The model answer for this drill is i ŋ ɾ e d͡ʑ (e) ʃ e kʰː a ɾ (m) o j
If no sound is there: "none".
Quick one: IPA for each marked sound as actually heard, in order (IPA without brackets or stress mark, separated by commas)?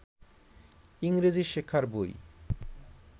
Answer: i, b